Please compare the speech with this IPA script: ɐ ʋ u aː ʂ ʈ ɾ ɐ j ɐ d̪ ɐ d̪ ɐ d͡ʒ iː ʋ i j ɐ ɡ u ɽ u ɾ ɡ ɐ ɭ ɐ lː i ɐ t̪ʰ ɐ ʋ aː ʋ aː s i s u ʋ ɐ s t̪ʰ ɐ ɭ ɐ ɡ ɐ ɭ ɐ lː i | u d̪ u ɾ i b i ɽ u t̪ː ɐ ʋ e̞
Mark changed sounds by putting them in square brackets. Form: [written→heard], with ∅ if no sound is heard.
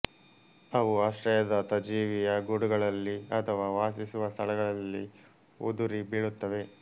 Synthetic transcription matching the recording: ɐ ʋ u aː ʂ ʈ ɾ ɐ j ɐ d̪ ɐ [d̪→t̪] ɐ d͡ʒ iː ʋ i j ɐ ɡ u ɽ u [ɾ→∅] ɡ ɐ ɭ ɐ lː i ɐ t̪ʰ ɐ ʋ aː ʋ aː s i s u ʋ ɐ s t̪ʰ ɐ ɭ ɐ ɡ ɐ ɭ ɐ lː i | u d̪ u ɾ i b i [ɽ→ɭ] u t̪ː ɐ ʋ e̞

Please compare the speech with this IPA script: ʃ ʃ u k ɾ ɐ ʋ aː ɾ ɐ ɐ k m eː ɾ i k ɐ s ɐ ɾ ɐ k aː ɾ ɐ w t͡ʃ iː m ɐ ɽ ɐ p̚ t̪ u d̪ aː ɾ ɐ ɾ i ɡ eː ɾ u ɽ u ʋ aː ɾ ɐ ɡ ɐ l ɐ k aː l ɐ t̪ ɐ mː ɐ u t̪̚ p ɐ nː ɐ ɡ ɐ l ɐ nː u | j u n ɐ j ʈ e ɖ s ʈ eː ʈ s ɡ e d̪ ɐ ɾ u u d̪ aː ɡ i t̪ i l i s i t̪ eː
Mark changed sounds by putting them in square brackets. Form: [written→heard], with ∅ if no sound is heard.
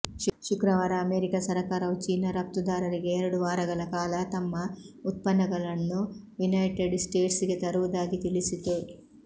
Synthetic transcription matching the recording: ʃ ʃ u k ɾ ɐ ʋ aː ɾ ɐ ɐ [k→∅] m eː ɾ i k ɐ s ɐ ɾ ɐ k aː ɾ ɐ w t͡ʃ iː [m→n] ɐ [ɽ→ɾ] ɐ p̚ t̪ u d̪ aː ɾ ɐ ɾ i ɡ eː ɾ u ɽ u ʋ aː ɾ ɐ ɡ ɐ l ɐ k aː l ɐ t̪ ɐ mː ɐ u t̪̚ p ɐ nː ɐ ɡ ɐ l ɐ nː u | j u n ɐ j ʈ e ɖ s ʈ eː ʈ s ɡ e [d̪→t̪] ɐ ɾ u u d̪ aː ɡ i t̪ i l i s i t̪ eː

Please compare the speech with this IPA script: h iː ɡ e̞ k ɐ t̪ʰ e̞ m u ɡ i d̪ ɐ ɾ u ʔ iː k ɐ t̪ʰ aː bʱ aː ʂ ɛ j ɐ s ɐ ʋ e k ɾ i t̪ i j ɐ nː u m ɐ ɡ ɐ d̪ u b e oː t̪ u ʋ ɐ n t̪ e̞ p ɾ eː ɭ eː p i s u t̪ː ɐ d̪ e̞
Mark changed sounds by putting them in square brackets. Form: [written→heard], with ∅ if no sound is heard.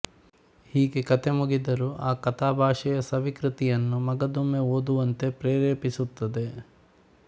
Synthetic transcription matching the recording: h iː ɡ e̞ k ɐ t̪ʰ e̞ m u ɡ i d̪ ɐ ɾ u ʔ [iː→aː] k ɐ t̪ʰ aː bʱ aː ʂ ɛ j ɐ s ɐ ʋ [e→i] k ɾ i t̪ i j ɐ nː u m ɐ ɡ ɐ d̪ u [b→m] e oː [t̪→d̪] u ʋ ɐ n t̪ e̞ p ɾ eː [ɭ→ɾ] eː p i s u t̪ː ɐ d̪ e̞

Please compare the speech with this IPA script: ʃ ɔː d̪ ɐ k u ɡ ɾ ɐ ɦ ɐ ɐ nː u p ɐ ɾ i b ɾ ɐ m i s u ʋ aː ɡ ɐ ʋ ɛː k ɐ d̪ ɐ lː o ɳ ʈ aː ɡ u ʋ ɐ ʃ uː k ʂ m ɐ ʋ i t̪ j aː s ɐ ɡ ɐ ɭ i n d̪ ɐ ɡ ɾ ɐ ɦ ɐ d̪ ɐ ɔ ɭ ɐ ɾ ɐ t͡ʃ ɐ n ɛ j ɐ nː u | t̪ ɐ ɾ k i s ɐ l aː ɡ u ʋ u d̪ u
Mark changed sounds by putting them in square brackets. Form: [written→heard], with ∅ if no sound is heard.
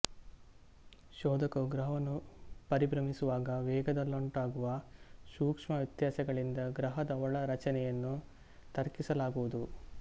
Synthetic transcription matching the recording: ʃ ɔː d̪ ɐ k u ɡ ɾ ɐ ɦ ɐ ɐ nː u p ɐ ɾ i b ɾ ɐ m i s u ʋ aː ɡ ɐ ʋ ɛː [k→ɡ] ɐ d̪ ɐ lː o ɳ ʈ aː ɡ u ʋ ɐ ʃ uː k ʂ m ɐ ʋ i t̪ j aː s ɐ ɡ ɐ ɭ i n d̪ ɐ ɡ ɾ ɐ ɦ ɐ d̪ ɐ ɔ ɭ ɐ ɾ ɐ t͡ʃ ɐ n ɛ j ɐ nː u | t̪ ɐ ɾ k i s ɐ l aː ɡ u ʋ u d̪ u

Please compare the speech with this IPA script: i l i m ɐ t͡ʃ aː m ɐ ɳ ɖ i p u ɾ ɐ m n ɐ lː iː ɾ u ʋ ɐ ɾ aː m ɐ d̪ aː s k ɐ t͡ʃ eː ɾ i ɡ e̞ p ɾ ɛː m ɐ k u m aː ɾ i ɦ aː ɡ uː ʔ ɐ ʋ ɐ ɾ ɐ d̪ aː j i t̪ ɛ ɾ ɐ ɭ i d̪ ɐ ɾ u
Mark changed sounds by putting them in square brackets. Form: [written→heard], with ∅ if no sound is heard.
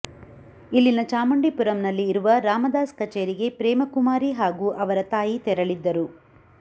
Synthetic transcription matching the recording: i [l→lː] i [m→n] ɐ t͡ʃ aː m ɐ ɳ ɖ i p u ɾ ɐ m n ɐ lː iː ɾ u ʋ ɐ ɾ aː m ɐ d̪ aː s k ɐ t͡ʃ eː ɾ i ɡ e̞ p ɾ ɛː m ɐ k u m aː ɾ i ɦ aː ɡ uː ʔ ɐ ʋ ɐ ɾ ɐ [d̪→t̪] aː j i t̪ ɛ ɾ ɐ ɭ i [d̪→d̪ː] ɐ ɾ u

